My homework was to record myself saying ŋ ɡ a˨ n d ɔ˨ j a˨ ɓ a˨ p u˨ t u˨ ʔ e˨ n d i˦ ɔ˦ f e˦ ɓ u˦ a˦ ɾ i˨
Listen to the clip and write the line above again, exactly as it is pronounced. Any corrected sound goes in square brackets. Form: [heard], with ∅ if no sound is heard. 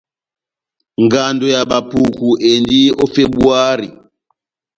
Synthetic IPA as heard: ŋ ɡ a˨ n d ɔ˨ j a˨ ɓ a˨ p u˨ [k] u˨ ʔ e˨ n d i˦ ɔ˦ f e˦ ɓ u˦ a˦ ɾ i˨

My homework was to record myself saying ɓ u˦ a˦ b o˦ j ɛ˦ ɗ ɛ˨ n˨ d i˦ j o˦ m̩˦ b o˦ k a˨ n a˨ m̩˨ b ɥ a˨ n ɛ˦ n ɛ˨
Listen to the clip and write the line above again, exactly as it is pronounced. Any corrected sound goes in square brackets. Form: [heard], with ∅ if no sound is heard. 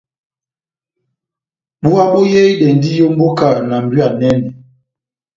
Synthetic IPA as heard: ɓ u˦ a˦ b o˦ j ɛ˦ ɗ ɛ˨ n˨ d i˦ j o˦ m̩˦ b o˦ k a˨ n a˨ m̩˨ b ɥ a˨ n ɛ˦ n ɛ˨

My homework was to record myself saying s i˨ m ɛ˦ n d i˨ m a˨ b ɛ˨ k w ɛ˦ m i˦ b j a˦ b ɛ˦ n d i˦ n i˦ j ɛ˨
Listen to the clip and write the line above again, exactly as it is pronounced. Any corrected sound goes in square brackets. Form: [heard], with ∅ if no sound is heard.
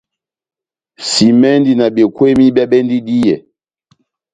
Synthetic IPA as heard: s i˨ m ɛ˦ n d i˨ [n] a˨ b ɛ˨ k w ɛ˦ m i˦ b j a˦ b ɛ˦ n d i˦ [d] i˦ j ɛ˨

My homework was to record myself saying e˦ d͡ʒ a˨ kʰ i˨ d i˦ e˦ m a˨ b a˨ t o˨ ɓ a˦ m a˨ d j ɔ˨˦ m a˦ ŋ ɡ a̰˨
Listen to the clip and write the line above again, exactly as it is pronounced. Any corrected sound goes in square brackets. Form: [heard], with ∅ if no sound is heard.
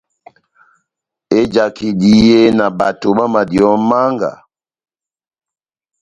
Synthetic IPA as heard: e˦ d͡ʒ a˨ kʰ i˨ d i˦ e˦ [n] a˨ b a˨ t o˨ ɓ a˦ m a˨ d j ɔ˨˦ m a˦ ŋ ɡ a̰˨

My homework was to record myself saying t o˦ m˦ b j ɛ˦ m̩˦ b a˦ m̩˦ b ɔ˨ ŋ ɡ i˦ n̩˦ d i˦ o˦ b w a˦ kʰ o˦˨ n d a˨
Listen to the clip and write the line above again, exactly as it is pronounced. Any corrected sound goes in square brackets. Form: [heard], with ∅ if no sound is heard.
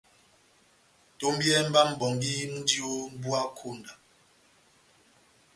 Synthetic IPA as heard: t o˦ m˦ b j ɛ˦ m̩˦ b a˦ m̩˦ b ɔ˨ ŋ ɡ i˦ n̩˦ d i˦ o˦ b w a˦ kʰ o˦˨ n d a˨

